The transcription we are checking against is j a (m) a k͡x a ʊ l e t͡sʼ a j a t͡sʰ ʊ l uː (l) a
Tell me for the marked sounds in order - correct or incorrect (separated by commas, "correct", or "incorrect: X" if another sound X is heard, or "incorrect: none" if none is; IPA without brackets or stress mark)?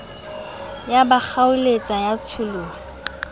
incorrect: b, incorrect: none